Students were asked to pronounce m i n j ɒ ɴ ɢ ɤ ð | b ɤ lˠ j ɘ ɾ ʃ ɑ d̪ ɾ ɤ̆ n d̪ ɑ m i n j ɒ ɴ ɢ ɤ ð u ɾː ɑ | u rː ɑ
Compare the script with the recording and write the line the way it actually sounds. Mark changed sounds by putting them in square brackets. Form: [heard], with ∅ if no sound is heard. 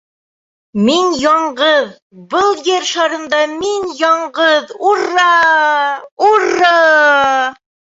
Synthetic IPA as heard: m i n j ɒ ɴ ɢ ɤ ð | b ɤ lˠ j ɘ ɾ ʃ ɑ [∅] ɾ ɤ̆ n d̪ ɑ m i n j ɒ ɴ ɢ ɤ ð u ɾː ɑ | u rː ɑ